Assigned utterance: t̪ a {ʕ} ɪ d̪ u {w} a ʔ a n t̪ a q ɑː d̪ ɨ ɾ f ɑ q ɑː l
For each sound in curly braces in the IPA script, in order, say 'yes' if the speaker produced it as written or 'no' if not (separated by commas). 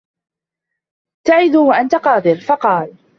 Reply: yes, yes